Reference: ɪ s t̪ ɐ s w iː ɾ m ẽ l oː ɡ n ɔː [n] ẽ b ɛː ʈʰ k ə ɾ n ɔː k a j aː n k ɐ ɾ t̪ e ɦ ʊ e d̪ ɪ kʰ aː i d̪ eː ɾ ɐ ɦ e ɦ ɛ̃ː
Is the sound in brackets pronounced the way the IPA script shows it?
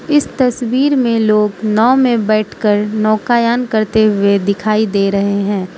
no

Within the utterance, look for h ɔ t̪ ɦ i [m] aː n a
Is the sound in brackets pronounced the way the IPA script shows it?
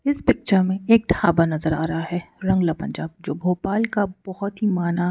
yes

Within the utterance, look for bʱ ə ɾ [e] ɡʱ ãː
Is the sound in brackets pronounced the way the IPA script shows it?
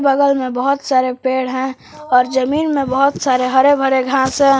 yes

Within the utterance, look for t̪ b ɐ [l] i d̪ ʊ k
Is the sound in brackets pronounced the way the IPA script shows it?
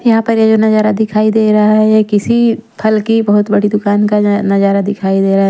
no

